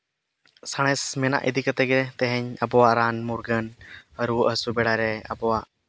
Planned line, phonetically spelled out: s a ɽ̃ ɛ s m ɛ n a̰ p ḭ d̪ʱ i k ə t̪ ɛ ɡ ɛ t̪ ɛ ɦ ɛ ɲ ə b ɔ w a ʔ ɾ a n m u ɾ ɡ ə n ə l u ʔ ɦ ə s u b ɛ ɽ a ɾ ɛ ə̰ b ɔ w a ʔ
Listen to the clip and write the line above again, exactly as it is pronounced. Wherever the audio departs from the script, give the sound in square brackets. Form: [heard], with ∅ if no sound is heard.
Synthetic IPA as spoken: s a ɽ̃ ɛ s m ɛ n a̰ [ʔ] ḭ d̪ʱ i k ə t̪ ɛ ɡ ɛ t̪ ɛ ɦ ɛ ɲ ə b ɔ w a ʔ ɾ a n m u ɾ ɡ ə n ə [ɾ] u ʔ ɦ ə s u b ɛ ɽ a ɾ ɛ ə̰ b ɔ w a ʔ